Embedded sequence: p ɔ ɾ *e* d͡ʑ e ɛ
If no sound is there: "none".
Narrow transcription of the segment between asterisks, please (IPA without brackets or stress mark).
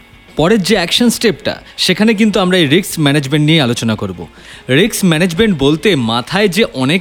e